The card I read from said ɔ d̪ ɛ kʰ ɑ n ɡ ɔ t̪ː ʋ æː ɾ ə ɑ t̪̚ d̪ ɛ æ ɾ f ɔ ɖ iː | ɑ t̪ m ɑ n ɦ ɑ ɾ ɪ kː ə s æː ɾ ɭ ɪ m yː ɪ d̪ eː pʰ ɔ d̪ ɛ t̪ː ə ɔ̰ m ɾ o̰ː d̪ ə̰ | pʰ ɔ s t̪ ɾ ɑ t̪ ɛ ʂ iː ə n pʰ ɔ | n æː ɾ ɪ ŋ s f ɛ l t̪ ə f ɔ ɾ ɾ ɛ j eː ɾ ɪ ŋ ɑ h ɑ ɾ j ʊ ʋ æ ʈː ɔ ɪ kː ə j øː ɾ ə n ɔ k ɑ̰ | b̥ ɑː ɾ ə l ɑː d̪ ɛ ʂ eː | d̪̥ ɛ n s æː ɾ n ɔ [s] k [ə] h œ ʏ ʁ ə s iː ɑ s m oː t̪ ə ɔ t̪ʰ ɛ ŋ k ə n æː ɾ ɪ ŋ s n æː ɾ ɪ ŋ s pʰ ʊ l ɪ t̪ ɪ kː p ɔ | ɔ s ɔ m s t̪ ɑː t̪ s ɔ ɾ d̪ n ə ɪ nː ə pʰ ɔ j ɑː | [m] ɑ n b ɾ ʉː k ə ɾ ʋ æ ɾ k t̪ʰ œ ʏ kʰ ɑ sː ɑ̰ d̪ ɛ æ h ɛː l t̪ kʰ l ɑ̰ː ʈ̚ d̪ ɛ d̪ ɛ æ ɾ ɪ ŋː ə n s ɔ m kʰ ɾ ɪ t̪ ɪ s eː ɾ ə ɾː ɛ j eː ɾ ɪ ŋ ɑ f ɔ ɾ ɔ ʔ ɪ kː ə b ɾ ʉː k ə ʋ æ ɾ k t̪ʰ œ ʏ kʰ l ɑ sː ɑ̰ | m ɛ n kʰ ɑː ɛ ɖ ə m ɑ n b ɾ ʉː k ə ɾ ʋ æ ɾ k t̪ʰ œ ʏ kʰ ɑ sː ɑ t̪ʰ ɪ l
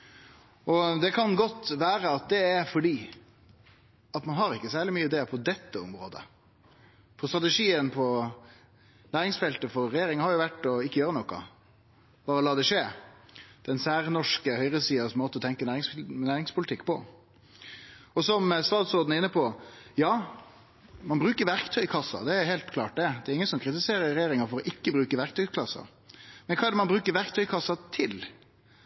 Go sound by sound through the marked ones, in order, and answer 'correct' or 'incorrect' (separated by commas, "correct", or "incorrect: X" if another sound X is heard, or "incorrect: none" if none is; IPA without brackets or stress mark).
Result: incorrect: ʂ, correct, correct